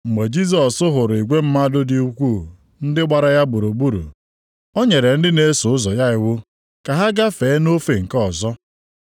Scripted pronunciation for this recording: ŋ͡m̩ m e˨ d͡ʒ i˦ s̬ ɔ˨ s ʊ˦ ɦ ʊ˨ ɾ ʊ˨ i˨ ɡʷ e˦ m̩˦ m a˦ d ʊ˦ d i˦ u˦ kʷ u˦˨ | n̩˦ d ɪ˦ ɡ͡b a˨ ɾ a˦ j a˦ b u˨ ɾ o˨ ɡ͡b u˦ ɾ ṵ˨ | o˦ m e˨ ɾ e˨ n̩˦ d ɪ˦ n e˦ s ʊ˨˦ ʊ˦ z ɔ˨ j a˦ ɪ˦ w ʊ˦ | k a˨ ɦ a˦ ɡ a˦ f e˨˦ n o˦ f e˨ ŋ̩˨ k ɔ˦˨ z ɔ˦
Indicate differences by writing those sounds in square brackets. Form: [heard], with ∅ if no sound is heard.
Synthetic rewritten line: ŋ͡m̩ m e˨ d͡ʒ i˦ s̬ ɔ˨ s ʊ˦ ɦ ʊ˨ ɾ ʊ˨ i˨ ɡʷ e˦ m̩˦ m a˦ d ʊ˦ d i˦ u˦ kʷ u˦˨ | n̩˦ d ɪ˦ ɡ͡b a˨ ɾ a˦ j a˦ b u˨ ɾ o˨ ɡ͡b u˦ ɾ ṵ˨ | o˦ [ɲ] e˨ ɾ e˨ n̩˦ d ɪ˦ n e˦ s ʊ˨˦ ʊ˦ z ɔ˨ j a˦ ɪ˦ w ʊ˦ | k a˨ ɦ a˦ ɡ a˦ f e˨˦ n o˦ f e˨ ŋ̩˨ k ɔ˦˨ z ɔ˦